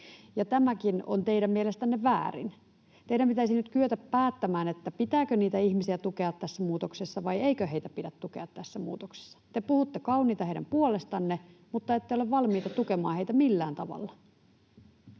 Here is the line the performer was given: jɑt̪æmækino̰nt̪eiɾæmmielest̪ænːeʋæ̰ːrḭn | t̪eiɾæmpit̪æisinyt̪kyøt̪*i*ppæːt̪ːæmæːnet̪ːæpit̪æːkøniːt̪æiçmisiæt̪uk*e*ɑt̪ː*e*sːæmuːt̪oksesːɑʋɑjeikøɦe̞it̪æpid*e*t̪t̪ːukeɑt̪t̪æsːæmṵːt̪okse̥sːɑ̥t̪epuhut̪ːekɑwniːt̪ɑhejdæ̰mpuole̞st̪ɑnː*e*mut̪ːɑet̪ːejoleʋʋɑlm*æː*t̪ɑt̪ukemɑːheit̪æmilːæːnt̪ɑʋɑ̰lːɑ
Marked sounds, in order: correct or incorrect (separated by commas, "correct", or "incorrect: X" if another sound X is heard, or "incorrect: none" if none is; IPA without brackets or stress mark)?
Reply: incorrect: æ, correct, incorrect: æ, incorrect: æ, correct, incorrect: iː